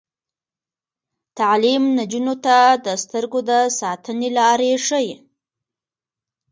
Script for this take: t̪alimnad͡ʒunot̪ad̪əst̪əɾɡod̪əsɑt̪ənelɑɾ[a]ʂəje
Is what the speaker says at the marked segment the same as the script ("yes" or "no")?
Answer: no